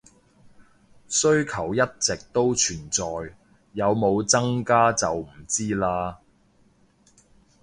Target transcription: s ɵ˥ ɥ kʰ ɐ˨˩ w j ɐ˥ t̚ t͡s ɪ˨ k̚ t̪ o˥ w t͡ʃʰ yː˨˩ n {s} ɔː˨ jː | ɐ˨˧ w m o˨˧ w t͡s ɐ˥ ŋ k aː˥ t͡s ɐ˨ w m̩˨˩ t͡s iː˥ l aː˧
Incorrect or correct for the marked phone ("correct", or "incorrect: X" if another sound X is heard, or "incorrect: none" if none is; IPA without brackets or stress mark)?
incorrect: t͡s